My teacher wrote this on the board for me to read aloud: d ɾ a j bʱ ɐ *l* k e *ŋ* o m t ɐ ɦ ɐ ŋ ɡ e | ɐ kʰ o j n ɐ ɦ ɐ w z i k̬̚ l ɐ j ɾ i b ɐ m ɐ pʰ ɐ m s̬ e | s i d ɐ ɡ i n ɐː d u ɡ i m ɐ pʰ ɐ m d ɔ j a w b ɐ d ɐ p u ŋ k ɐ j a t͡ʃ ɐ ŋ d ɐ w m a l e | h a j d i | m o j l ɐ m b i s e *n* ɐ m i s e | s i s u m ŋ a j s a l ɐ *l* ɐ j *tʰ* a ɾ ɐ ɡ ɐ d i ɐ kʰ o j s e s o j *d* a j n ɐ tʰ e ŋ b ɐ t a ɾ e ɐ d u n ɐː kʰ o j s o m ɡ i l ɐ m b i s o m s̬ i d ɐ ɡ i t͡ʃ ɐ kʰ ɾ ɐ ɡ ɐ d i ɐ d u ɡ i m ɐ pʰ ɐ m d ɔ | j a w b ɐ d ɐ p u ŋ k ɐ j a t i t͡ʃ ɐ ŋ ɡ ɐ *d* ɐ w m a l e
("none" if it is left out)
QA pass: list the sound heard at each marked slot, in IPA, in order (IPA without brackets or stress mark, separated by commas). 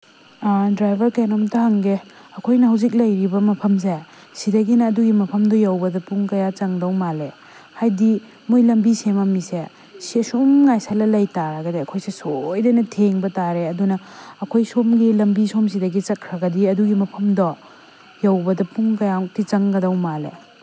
ɾ, n, m, l, t, d, d